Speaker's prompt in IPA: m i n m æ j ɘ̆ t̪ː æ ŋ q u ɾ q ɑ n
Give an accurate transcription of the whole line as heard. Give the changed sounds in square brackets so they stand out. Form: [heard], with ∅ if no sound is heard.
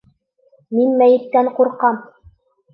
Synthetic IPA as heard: m i n m æ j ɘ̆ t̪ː æ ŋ q u ɾ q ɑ [m]